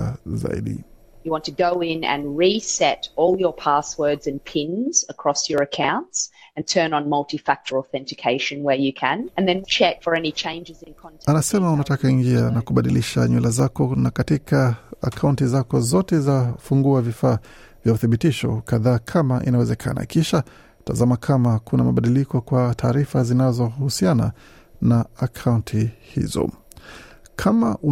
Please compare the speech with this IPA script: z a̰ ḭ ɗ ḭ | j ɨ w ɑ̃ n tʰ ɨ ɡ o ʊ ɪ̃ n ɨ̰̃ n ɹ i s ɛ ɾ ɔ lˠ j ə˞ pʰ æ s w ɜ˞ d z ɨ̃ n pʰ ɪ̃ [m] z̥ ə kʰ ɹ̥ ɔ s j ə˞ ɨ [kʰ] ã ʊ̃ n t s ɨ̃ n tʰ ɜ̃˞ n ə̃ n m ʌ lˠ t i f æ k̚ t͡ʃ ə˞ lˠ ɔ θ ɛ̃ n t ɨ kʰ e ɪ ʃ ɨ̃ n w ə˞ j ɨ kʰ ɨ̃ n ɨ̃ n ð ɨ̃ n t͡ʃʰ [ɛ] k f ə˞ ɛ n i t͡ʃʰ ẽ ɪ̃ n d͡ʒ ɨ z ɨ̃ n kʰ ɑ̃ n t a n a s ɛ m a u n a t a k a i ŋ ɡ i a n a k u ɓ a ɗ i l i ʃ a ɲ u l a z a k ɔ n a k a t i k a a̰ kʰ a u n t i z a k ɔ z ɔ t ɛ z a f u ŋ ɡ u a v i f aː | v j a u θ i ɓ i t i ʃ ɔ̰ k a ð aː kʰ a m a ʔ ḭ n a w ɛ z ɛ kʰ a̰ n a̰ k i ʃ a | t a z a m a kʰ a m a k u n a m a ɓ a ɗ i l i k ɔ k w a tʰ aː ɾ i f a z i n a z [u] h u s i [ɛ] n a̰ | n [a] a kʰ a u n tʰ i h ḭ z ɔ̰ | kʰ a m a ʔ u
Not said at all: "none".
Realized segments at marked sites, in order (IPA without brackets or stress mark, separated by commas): n, kʰ, ɛ, ɔ, a, a